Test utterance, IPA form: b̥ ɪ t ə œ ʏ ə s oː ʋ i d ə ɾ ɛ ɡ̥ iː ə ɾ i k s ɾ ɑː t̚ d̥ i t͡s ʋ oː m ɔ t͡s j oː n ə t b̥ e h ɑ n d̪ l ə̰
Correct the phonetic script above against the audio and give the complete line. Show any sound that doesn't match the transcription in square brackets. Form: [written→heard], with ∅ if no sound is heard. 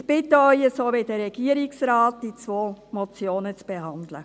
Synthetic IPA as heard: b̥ ɪ t ə œ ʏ ə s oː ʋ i d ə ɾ ɛ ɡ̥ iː ə ɾ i k s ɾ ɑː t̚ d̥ i t͡s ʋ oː m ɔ t͡s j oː n ə [t→t͡s] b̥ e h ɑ n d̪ l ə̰